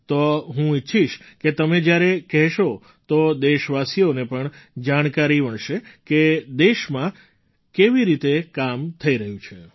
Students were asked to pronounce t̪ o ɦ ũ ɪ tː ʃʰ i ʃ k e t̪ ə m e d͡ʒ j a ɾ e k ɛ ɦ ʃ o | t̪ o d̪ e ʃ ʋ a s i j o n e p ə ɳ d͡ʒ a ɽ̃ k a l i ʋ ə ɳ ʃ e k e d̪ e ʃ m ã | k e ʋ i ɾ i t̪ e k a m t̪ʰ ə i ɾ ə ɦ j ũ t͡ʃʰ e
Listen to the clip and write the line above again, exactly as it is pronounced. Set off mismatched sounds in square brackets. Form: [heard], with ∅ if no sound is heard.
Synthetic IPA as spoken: t̪ o ɦ ũ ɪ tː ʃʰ i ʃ k e t̪ ə m e d͡ʒ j a ɾ e k ɛ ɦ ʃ o | t̪ o d̪ e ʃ ʋ a s i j o n e p ə ɳ d͡ʒ a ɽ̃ k a [ɾ] i ʋ ə ɳ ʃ e k e d̪ e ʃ m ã | k e ʋ i ɾ i t̪ e k a m t̪ʰ ə i ɾ ə ɦ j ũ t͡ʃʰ e